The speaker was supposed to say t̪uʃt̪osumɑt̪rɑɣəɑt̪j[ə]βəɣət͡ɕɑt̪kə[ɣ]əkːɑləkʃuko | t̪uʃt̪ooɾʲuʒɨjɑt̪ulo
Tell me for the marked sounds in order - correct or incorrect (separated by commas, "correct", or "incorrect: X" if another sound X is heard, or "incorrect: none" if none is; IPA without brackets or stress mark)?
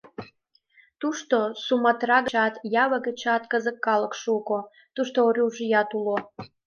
incorrect: ɑ, incorrect: z